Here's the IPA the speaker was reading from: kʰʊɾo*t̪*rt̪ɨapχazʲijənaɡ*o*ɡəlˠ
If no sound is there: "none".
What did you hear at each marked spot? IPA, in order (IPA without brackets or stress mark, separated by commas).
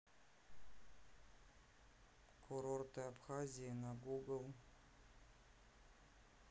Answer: none, u